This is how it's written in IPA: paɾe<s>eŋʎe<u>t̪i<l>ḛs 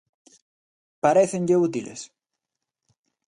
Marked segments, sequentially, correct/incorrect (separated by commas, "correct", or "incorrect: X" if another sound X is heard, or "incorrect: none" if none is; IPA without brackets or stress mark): incorrect: θ, correct, correct